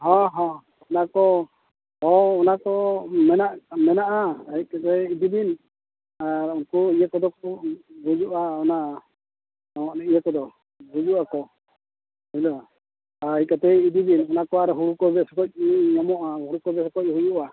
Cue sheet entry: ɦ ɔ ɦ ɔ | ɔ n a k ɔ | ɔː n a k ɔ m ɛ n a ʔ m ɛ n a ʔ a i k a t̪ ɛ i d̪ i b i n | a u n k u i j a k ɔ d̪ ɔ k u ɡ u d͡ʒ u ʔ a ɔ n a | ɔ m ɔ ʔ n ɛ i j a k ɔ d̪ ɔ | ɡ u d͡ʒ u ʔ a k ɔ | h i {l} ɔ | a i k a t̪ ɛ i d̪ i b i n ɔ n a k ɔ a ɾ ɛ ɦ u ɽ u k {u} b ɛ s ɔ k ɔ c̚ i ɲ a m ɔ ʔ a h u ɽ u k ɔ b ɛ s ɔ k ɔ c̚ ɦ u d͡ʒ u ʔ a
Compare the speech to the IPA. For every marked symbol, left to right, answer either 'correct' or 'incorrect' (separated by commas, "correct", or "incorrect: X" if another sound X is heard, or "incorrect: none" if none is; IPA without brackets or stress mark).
correct, incorrect: ɔ